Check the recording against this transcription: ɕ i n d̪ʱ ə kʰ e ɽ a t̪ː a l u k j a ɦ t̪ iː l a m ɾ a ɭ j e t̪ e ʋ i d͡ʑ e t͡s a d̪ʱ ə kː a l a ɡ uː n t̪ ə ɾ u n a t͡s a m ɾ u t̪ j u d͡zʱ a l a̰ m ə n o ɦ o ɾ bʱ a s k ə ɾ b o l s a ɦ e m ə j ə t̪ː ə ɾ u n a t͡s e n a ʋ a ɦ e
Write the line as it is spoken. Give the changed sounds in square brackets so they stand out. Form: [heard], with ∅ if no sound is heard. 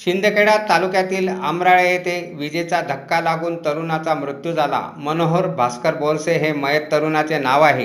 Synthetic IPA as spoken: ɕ i n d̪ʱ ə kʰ e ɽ a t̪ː a l u k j a [∅] t̪ iː l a m ɾ a ɭ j e t̪ e ʋ i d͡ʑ e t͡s a d̪ʱ ə kː a l a ɡ uː n t̪ ə ɾ u n a t͡s a m ɾ u t̪ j u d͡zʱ a l a̰ m ə n o ɦ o ɾ bʱ a s k ə ɾ b o l s [e] ɦ e m ə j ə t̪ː ə ɾ u n a t͡s e n a ʋ a ɦ e